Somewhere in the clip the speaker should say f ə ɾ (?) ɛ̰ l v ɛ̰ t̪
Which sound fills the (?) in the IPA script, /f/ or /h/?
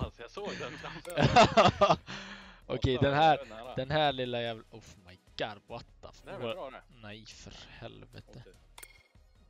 h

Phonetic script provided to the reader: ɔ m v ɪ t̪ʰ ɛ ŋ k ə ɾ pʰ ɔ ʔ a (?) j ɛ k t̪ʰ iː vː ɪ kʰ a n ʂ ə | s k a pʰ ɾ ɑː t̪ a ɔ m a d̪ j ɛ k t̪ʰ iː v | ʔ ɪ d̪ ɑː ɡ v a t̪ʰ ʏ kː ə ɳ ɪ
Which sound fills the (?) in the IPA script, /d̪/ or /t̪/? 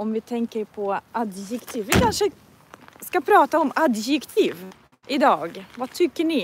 d̪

